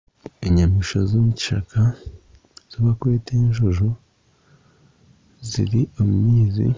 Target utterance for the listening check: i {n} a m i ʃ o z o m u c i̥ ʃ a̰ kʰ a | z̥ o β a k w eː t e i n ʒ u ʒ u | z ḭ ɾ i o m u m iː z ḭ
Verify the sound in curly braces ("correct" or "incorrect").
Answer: incorrect